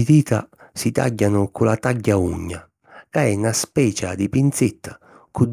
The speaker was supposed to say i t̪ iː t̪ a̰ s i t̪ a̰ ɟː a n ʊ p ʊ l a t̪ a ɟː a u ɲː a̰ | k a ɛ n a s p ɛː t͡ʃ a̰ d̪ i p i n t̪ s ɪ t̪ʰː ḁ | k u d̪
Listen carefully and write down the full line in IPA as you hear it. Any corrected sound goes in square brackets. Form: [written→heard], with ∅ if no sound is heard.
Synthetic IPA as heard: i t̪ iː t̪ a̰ s i t̪ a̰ ɟː a n ʊ [p→k] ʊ l a t̪ a ɟː a u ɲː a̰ | k a ɛ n a s p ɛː t͡ʃ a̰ d̪ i p i n t̪ s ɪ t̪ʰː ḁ | k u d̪